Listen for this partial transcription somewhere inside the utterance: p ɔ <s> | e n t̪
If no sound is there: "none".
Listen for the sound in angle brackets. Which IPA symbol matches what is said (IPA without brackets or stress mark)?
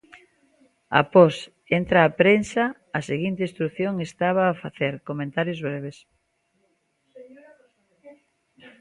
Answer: s